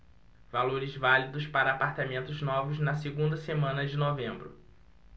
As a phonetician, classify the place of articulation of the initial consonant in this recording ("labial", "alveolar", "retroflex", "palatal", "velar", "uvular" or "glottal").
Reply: labial